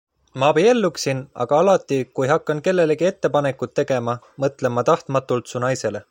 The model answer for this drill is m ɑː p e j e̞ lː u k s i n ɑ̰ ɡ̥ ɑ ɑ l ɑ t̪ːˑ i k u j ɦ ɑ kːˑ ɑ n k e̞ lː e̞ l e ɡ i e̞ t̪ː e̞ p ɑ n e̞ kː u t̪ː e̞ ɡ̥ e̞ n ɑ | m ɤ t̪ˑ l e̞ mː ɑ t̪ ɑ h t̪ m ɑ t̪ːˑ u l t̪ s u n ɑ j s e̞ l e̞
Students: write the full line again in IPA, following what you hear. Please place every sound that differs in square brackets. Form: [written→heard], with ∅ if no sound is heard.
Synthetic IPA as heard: m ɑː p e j e̞ lː u k s i n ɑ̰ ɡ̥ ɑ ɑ l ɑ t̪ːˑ i k u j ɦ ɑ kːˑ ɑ n k e̞ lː e̞ l e ɡ i e̞ t̪ː e̞ p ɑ n e̞ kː u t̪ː e̞ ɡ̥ e̞ [n→m] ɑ | m ɤ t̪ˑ l e̞ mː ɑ t̪ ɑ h t̪ m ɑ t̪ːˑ u l t̪ s u n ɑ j s e̞ l e̞